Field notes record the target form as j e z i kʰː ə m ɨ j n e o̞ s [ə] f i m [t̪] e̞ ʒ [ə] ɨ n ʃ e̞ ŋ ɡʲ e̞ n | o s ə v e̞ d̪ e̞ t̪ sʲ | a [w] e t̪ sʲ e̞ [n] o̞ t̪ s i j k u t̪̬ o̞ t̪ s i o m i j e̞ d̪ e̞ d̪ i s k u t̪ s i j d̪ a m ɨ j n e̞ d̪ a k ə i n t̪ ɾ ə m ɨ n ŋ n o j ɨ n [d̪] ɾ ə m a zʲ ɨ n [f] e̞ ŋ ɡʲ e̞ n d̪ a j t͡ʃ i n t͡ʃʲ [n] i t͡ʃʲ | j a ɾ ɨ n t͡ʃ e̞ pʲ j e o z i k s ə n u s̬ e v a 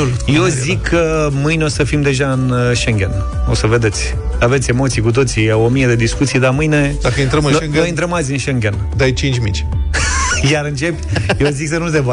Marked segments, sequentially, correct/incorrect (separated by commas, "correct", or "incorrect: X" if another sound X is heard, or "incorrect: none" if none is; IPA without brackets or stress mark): correct, incorrect: d̪, incorrect: a, incorrect: v, incorrect: m, incorrect: t̪, incorrect: ʃ, incorrect: m